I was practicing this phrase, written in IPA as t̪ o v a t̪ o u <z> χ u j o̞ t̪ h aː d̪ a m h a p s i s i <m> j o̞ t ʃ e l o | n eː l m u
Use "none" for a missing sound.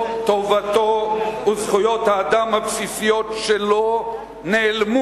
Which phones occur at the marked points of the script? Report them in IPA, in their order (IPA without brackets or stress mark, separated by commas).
z, none